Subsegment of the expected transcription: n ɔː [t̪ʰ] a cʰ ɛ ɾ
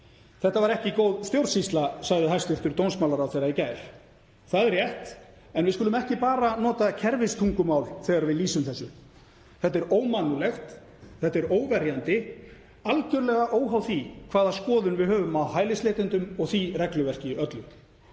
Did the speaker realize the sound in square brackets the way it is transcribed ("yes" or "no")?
no